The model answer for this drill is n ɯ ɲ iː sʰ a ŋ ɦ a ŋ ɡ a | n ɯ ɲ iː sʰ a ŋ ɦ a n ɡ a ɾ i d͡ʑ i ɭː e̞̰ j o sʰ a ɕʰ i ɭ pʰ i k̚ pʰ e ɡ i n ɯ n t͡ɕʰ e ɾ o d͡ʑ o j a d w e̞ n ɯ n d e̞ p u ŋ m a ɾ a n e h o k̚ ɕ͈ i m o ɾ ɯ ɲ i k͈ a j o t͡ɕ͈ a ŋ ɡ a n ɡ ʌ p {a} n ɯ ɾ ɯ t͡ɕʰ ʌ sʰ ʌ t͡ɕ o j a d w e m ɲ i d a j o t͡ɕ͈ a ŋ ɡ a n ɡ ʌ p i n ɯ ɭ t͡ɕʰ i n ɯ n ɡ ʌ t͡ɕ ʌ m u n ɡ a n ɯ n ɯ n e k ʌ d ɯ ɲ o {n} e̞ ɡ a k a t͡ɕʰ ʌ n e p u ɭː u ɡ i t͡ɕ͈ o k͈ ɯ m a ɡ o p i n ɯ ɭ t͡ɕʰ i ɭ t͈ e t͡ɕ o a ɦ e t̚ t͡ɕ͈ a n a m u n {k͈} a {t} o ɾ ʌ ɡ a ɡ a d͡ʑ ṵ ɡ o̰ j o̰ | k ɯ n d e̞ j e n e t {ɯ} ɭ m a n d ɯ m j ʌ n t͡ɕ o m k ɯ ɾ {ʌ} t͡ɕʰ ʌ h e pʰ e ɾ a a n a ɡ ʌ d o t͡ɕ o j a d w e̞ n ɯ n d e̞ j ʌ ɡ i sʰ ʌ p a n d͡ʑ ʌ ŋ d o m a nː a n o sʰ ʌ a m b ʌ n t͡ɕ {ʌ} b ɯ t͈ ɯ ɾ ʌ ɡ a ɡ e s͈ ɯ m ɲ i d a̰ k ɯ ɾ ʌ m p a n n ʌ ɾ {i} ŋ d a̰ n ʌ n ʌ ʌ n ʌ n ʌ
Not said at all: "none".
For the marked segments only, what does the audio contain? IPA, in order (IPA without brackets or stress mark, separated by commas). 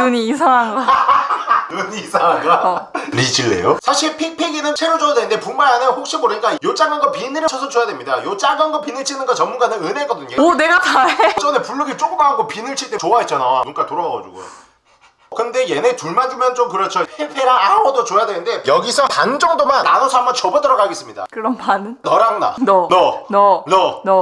i, n, k͈, t, u, ʌ, ʌ, a